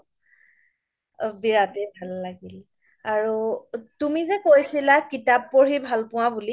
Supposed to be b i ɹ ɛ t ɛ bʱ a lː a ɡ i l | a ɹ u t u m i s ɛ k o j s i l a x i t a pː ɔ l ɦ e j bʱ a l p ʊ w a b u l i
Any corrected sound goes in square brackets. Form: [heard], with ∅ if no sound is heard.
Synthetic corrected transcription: b i ɹ [a] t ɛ bʱ a lː a ɡ i l | a ɹ u t u m i [z] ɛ k o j s i l a [k] i t a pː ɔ [ɹ] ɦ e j bʱ a l p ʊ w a b u l i